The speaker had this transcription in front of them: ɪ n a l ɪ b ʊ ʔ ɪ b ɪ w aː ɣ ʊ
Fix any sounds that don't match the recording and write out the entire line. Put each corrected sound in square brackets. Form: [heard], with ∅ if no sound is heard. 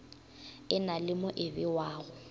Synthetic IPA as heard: ɪ n a l ɪ [m] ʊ ʔ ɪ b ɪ w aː ɣ ʊ